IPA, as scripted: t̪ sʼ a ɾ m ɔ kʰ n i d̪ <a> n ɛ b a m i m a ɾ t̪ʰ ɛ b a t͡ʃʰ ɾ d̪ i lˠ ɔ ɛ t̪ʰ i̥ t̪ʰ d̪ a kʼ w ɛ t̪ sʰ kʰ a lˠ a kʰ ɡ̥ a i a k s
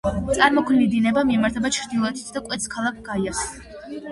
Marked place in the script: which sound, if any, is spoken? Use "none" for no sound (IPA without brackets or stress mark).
i